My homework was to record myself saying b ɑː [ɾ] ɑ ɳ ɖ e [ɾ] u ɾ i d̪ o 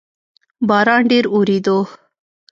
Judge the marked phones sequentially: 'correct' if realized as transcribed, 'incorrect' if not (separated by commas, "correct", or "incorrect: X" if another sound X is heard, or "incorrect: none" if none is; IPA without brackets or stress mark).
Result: correct, correct